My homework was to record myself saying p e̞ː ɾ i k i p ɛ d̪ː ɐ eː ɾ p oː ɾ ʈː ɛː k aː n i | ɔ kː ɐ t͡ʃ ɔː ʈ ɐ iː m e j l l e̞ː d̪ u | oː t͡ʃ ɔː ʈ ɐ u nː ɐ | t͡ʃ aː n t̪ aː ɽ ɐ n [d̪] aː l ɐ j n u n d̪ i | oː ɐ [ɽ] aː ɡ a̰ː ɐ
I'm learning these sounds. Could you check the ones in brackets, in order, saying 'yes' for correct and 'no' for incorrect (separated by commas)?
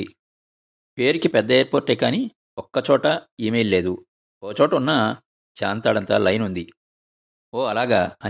no, no